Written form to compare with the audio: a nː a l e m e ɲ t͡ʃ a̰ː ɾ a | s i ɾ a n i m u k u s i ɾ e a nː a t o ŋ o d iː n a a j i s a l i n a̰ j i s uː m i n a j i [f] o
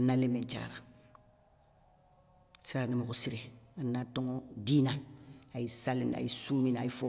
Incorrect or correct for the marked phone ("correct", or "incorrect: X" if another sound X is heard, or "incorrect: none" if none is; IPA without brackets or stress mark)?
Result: correct